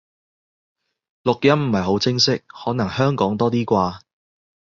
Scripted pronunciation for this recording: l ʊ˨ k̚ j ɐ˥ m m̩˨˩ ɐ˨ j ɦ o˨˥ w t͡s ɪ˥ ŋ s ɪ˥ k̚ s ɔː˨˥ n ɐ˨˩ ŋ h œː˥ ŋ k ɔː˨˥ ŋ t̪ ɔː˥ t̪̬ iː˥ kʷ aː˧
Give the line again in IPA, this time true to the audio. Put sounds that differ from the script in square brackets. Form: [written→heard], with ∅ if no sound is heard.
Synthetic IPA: l ʊ˨ k̚ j ɐ˥ m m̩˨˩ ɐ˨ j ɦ o˨˥ w t͡s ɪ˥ ŋ s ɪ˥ k̚ [s→h] ɔː˨˥ n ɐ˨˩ ŋ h œː˥ ŋ k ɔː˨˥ ŋ t̪ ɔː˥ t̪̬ iː˥ kʷ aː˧